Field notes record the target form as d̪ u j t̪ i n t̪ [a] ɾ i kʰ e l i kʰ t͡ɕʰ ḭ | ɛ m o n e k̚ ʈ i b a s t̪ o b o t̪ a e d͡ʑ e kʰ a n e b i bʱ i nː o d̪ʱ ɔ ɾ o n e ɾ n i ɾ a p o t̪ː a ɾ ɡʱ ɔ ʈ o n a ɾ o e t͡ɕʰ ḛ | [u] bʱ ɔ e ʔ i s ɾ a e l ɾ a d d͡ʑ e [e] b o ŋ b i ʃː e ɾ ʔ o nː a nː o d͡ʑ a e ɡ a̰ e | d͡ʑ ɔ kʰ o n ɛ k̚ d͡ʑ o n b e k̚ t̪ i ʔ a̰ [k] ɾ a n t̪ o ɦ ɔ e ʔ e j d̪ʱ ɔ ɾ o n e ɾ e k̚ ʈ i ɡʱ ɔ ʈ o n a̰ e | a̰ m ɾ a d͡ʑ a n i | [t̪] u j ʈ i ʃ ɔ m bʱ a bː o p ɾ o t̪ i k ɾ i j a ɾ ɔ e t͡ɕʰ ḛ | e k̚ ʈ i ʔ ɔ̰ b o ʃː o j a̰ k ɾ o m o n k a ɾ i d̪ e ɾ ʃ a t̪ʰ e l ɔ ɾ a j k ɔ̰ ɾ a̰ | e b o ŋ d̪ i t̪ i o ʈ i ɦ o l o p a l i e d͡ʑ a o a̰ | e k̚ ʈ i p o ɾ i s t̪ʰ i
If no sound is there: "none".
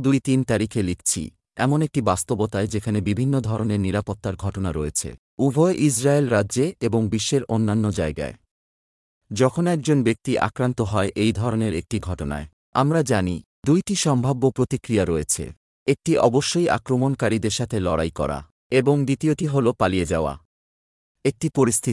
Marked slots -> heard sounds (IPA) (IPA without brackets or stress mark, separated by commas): a, u, e, k, d̪